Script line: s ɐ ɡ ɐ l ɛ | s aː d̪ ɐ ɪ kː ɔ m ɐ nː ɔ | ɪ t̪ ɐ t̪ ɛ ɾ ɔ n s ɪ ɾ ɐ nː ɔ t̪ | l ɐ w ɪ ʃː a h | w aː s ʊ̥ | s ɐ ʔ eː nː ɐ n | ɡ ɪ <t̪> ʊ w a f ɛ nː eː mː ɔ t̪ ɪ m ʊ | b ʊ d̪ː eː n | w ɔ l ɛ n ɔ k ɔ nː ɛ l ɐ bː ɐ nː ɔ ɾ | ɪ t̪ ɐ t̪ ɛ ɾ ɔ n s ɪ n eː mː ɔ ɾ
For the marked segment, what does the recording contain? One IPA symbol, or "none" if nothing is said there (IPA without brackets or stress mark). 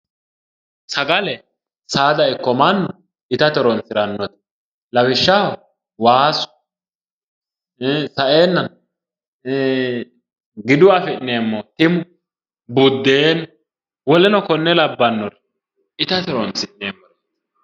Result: d̪